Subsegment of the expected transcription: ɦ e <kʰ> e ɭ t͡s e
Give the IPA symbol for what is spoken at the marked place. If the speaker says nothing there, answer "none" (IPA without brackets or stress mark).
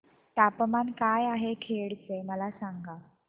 kʰ